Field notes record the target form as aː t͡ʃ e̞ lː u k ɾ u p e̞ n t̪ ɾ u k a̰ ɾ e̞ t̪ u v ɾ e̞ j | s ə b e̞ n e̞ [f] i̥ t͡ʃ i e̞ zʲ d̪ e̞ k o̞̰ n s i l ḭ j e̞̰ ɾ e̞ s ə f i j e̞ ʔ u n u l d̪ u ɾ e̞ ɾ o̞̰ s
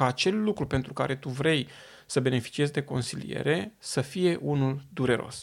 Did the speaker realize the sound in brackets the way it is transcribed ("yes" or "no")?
yes